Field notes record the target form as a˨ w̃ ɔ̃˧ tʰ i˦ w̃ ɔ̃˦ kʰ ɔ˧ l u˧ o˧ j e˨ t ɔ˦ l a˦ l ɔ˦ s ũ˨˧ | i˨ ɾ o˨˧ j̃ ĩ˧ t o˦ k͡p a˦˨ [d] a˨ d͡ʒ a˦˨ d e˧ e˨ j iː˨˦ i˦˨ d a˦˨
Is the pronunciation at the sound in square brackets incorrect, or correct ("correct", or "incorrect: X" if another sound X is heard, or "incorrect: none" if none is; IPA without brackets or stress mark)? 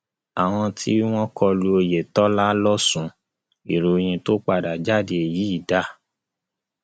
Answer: correct